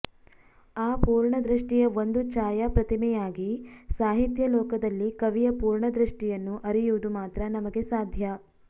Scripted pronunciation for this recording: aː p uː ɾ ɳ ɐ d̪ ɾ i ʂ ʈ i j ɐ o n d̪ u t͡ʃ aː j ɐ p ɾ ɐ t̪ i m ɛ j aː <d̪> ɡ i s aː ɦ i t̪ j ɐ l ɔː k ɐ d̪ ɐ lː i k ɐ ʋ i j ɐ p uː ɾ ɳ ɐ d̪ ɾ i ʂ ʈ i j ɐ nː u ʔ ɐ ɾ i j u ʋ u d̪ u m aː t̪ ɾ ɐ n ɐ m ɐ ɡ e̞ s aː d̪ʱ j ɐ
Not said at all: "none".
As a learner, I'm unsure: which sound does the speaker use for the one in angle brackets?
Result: none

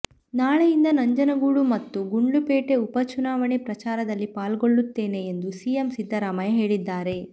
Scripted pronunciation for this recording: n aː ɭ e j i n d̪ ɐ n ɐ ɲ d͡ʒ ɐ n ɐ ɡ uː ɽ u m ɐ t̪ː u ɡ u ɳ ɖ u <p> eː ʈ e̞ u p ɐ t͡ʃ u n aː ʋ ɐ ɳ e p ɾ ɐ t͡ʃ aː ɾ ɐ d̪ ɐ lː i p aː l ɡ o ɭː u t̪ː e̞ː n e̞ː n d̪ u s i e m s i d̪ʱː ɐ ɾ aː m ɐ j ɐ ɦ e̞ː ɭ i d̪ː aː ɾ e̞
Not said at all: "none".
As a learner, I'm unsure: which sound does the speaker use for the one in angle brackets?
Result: p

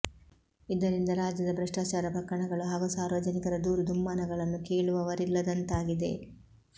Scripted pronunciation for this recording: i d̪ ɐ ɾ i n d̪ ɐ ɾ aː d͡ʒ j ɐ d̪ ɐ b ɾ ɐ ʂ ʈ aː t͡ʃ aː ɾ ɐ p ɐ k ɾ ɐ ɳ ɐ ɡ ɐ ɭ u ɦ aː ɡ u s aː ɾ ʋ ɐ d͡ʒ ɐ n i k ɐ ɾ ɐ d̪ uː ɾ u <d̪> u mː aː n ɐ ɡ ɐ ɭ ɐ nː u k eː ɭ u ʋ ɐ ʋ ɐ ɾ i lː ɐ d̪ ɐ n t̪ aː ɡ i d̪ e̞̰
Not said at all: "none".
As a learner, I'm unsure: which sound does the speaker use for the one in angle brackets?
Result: d̪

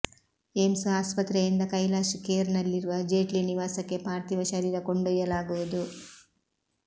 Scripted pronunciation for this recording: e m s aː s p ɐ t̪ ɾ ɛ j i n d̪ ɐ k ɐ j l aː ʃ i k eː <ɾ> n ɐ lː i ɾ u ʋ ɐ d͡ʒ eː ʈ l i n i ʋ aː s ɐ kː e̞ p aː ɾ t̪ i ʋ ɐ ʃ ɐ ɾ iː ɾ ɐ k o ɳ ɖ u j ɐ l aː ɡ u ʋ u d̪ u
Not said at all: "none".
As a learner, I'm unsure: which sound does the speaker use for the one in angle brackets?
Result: ɾ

